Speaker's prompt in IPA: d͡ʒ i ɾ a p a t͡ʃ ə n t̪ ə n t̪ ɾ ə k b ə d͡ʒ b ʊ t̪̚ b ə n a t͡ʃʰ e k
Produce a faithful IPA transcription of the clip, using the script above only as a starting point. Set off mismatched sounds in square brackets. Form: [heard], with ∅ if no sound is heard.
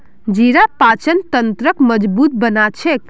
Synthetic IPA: d͡ʒ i ɾ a p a t͡ʃ ə n t̪ ə n t̪ ɾ ə k [m] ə d͡ʒ b [u] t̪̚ b ə n a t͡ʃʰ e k